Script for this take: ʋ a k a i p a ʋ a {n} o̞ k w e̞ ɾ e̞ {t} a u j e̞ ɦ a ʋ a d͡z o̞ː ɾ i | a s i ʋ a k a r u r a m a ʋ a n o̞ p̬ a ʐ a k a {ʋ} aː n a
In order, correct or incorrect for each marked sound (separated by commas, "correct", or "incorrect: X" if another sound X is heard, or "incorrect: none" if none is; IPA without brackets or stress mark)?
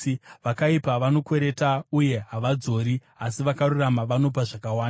correct, correct, incorrect: w